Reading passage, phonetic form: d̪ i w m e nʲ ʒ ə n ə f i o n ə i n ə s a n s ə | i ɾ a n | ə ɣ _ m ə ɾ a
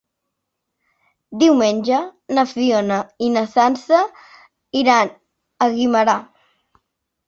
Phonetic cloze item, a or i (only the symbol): i